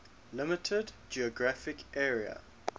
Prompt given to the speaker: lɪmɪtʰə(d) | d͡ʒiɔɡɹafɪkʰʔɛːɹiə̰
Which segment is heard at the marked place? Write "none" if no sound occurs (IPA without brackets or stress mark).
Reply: d